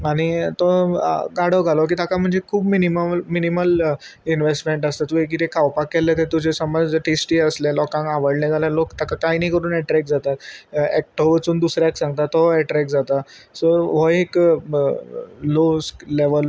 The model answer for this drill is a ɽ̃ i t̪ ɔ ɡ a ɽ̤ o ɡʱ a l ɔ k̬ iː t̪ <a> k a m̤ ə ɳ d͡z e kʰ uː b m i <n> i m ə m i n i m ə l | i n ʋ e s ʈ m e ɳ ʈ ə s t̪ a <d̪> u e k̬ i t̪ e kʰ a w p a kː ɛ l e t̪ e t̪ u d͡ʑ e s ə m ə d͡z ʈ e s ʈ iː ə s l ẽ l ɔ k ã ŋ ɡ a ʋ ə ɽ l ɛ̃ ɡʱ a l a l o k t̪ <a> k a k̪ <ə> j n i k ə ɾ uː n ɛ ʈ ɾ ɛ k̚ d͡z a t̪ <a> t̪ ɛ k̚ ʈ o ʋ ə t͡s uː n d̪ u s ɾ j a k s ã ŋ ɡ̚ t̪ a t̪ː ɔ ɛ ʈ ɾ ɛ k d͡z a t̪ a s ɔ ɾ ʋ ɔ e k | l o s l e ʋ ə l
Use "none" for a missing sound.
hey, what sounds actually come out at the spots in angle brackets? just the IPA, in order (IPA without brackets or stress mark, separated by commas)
a, n, t̪, a, a, a